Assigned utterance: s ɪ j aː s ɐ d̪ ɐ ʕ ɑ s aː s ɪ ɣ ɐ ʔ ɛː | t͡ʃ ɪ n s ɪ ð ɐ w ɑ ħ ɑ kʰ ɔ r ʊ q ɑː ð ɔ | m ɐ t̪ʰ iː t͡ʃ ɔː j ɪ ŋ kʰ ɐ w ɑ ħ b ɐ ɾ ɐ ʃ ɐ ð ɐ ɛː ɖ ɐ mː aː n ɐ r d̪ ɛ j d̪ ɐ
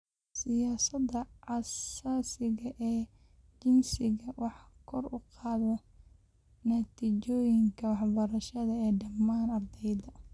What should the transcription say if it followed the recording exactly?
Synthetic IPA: s ɪ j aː s ɐ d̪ ɐ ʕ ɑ s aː s ɪ ɣ ɐ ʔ ɛː | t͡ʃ ɪ n s ɪ ɣ ɐ w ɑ ħ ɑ kʰ ɔ r ʊ q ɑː ð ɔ | n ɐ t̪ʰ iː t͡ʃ ɔː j ɪ ŋ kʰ ɐ w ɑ ħ b ɐ ɾ ɐ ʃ ɐ ð ɐ ɛː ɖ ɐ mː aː n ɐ r d̪ ɛ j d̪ ɐ